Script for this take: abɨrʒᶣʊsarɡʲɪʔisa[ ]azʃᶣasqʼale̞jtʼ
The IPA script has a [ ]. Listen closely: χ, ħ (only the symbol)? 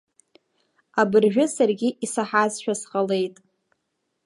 ħ